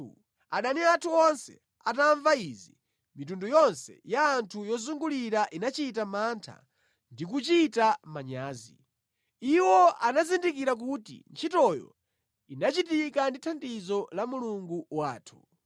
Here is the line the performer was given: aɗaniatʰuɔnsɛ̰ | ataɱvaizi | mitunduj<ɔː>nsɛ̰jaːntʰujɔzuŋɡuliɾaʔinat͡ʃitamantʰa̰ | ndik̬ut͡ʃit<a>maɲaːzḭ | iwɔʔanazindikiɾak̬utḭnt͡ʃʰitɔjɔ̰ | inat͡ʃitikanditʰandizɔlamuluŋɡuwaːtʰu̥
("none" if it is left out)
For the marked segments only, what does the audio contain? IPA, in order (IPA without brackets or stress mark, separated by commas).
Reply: ɔ, a